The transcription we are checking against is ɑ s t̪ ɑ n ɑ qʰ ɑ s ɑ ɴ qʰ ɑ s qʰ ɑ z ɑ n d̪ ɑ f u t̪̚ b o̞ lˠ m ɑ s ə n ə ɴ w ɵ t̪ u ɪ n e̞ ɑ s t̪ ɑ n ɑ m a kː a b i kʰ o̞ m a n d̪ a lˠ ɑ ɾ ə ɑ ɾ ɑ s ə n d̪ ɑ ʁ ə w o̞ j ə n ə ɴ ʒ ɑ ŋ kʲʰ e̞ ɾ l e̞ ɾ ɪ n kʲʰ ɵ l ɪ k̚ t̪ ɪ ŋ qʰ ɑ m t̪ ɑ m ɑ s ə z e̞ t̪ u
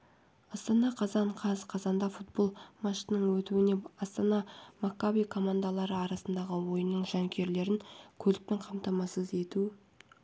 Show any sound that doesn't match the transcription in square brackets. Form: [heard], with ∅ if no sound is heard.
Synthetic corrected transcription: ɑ s t̪ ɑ n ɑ qʰ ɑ [z] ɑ ɴ qʰ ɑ [z] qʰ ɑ z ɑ n d̪ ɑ f u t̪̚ b o̞ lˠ m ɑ [ʃ] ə n ə ɴ w ɵ t̪ u ɪ n e̞ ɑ s t̪ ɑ n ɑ m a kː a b i kʰ o̞ m a n d̪ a lˠ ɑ ɾ ə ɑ ɾ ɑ s ə n d̪ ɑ ʁ ə w o̞ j ə n ə ɴ ʒ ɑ ŋ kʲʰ e̞ ɾ l e̞ ɾ ɪ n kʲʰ ɵ l ɪ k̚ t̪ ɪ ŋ qʰ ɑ m t̪ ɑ m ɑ s ə z e̞ t̪ u